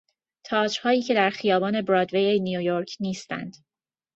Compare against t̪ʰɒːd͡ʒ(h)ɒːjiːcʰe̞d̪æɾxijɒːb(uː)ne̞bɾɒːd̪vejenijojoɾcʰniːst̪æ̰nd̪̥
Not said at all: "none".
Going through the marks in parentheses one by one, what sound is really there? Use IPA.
h, ɒː

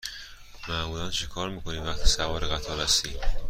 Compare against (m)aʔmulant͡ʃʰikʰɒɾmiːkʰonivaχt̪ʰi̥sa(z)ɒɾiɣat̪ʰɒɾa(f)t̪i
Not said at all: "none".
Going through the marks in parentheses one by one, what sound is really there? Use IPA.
m, v, s

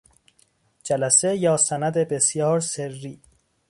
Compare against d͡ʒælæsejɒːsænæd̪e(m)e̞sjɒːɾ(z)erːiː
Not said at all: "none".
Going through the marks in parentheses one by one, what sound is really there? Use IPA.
b, s

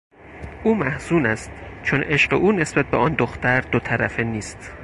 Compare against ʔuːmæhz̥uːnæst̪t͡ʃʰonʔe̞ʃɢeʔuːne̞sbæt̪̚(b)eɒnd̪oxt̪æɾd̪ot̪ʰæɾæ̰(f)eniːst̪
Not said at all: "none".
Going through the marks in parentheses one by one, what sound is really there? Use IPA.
b, f

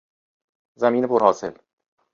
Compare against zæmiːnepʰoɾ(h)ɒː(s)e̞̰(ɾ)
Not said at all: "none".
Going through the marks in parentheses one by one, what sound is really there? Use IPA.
h, s, l

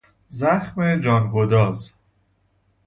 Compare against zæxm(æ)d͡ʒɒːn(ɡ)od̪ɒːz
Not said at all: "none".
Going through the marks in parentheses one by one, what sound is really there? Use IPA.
e, ɡ

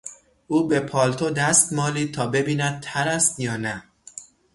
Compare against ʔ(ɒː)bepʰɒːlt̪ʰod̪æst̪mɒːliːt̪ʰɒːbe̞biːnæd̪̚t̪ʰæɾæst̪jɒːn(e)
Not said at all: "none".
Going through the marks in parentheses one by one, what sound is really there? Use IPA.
uː, æ

